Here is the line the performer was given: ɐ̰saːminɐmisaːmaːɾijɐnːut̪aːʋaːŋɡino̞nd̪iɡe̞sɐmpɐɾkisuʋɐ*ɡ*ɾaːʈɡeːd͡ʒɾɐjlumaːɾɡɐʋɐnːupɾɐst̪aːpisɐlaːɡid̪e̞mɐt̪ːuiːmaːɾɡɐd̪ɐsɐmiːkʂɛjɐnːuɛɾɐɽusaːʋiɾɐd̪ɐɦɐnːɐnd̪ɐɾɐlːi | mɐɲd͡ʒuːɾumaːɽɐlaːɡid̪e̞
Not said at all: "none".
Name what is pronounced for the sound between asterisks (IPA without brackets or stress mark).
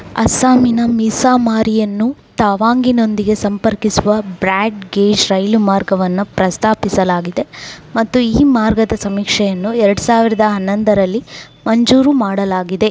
b